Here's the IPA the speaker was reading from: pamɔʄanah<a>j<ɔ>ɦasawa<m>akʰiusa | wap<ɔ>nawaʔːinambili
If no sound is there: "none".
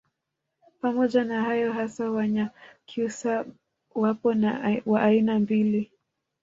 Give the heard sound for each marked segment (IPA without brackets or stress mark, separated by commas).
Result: a, ɔ, ɲ, ɔ